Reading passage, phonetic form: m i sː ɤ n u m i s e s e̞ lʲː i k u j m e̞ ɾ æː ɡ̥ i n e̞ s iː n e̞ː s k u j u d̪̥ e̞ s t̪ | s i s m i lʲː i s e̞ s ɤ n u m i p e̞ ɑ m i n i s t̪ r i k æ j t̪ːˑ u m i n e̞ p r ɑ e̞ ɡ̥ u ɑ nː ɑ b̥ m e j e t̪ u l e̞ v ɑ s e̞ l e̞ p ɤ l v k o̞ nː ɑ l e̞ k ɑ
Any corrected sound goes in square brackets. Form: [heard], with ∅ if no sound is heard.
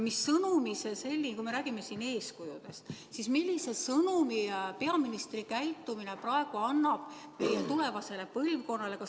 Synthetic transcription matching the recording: m i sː ɤ n u m i s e s e̞ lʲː i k u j m e̞ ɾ æː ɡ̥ i [m] e̞ s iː n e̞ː s k u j u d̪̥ e̞ s t̪ | s i s m i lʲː i s e̞ s ɤ n u m i p e̞ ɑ m i n i s t̪ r i k æ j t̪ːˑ u m i n e̞ p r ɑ e̞ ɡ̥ u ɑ nː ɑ b̥ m e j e t̪ u l e̞ v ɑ s e̞ l e̞ p ɤ l v k o̞ nː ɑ l e̞ k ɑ